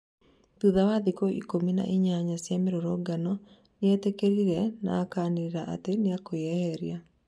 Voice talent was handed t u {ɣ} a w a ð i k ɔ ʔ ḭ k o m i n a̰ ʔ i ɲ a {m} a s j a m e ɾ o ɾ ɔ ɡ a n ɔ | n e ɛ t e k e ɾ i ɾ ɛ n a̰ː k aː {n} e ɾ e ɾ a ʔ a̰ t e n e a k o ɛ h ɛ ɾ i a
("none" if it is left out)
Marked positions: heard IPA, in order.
ð, ɲ, n

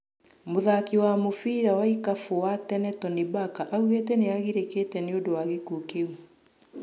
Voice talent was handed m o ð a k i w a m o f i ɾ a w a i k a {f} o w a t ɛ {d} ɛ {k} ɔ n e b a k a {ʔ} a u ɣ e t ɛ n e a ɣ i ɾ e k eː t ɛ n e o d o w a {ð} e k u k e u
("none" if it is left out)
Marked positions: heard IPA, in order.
f, n, t, ʔ, ɣ

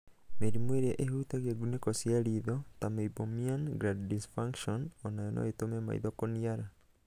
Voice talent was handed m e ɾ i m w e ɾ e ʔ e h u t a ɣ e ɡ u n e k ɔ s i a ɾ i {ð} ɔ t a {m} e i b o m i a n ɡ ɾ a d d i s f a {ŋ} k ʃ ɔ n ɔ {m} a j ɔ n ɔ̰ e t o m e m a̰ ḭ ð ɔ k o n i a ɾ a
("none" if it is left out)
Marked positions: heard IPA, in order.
ð, m, ŋ, n

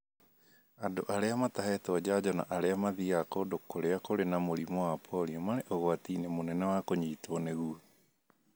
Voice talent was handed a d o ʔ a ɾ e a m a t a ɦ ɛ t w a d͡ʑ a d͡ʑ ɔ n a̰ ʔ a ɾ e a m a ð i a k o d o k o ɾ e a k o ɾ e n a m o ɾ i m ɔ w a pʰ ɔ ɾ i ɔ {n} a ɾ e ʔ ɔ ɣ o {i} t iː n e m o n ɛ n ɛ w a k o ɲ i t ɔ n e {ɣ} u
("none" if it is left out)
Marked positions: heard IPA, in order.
m, a, ɣ

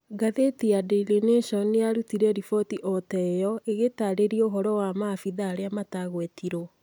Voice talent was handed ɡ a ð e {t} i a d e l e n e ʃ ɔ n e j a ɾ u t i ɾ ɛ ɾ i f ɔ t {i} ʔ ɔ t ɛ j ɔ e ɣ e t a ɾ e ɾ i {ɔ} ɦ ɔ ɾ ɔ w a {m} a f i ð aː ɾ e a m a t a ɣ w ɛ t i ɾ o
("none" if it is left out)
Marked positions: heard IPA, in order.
t, i, o, m

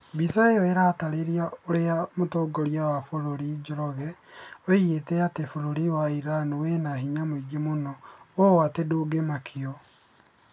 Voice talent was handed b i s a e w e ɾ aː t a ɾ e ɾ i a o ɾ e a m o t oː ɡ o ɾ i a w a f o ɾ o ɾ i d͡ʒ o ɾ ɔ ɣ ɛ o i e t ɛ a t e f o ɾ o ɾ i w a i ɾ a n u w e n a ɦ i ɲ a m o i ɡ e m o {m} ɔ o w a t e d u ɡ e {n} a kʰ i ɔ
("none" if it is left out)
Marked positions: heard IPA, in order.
n, m

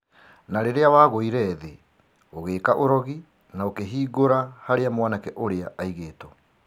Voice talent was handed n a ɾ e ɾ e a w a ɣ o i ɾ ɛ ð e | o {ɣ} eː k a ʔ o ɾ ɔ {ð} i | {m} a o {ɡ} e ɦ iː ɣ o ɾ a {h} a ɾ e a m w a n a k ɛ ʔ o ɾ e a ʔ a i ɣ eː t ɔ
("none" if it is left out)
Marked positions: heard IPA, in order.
ɣ, ɣ, n, k, h

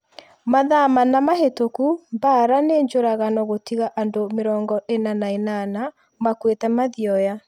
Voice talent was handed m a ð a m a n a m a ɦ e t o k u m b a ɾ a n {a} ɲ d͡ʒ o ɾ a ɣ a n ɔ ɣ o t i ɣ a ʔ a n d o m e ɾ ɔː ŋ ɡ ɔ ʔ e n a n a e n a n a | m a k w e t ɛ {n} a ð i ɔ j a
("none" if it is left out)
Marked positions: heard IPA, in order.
e, m

